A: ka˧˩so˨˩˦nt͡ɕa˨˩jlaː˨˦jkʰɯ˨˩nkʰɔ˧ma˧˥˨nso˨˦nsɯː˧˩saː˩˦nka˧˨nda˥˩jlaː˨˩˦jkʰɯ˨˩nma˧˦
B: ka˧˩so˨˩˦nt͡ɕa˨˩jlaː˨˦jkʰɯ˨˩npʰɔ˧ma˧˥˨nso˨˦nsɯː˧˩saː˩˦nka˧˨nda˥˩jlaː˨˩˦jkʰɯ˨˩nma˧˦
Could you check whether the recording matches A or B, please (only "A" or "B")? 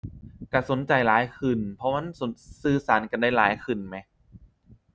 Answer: B